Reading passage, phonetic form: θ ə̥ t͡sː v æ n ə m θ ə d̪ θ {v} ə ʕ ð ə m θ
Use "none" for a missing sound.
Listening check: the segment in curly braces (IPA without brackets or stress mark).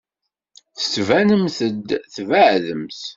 v